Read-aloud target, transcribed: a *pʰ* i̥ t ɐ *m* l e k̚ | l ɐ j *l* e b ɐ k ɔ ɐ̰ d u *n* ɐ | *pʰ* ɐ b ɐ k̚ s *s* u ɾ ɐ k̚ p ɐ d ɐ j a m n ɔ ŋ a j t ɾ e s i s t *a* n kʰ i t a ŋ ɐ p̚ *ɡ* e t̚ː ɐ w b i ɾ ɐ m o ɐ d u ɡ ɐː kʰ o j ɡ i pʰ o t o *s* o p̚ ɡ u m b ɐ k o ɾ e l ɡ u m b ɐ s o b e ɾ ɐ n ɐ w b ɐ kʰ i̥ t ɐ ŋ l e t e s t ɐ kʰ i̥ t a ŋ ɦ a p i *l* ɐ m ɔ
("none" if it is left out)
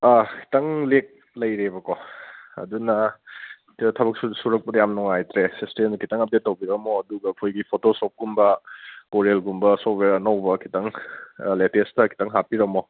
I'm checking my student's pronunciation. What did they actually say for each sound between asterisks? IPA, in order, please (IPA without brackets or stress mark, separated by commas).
kʰ, ŋ, ɾ, n, tʰ, s, e, d, s, ɾ